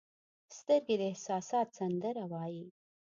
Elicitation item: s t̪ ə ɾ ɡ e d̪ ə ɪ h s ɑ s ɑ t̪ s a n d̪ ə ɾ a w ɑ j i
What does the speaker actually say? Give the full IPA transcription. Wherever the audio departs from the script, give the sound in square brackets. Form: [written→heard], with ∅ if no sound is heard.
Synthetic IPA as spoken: s t̪ ə ɾ ɡ e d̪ ə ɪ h s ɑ s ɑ t̪ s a n d̪ ə ɾ a w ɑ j i